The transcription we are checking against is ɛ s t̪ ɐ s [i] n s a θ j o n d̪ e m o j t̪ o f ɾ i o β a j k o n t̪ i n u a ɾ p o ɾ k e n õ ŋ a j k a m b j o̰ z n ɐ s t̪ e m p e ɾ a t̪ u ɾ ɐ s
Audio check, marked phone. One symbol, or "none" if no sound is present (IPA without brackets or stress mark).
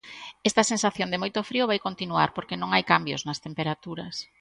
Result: e